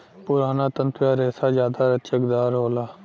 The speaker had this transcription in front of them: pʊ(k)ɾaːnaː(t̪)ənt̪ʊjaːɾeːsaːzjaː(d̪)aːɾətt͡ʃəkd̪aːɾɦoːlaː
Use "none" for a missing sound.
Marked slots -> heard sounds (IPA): none, t̪, d̪

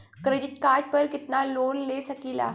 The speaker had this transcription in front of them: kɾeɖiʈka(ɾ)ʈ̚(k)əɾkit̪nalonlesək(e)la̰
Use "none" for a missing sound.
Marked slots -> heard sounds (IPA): ɾ, p, i

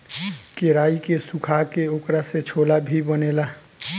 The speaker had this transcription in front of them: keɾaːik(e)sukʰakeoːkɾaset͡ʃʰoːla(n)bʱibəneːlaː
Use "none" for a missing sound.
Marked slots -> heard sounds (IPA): e, none

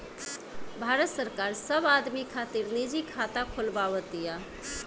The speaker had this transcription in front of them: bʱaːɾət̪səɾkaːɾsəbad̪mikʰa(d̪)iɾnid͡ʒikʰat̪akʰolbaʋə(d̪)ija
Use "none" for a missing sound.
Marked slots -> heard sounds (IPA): t̪, t̪

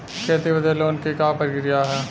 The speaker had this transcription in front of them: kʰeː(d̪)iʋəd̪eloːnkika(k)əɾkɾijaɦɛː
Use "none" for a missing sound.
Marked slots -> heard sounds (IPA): t̪, p

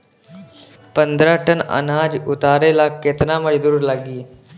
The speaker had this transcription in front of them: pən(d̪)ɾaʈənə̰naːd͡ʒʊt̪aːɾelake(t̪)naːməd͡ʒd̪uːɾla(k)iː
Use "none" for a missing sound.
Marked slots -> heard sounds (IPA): d̪, t̪, ɡ

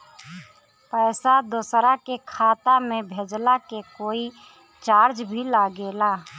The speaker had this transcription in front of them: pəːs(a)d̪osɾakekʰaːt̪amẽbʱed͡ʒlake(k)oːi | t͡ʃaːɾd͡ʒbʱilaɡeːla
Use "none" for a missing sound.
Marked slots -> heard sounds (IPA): a, k

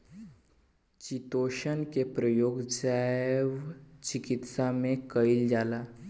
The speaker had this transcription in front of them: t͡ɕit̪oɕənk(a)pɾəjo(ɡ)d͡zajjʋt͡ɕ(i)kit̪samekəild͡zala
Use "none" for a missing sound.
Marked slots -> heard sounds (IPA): e, ɡ, i

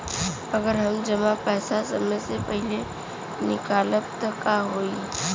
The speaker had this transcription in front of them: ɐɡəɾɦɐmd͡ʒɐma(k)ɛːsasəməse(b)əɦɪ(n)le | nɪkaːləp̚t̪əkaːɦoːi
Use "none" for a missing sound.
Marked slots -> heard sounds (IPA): p, p, none

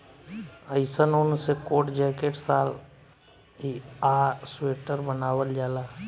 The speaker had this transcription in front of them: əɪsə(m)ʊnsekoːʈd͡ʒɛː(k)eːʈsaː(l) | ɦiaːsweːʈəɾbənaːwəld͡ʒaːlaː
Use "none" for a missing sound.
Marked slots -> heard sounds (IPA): n, k, l

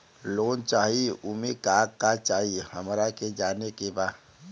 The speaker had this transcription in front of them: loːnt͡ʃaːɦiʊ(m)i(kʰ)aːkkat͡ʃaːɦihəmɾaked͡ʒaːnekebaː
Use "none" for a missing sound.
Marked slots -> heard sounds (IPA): m, k

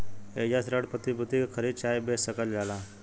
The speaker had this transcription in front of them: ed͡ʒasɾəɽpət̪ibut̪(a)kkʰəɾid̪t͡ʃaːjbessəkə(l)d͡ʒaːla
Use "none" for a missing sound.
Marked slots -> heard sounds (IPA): i, l

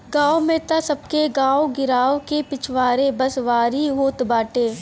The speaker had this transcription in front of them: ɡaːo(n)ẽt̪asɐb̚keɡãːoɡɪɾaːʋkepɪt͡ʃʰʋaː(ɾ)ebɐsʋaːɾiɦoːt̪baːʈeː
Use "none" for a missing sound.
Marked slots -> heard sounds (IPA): m, ɾ

